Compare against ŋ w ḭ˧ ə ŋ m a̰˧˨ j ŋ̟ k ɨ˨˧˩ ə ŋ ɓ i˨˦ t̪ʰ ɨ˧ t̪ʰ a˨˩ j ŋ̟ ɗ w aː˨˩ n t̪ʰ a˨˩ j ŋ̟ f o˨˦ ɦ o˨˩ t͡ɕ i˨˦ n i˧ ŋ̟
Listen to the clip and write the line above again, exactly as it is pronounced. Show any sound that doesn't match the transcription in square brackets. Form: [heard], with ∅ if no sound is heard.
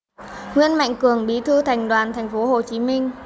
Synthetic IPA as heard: ŋ w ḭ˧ ə [n] m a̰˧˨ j ŋ̟ k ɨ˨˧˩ ə ŋ ɓ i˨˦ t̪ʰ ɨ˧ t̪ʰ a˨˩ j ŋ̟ ɗ w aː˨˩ n t̪ʰ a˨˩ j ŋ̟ f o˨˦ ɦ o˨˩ t͡ɕ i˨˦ [m] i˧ ŋ̟